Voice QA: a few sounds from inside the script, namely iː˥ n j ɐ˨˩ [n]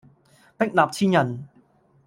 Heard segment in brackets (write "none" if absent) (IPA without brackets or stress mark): n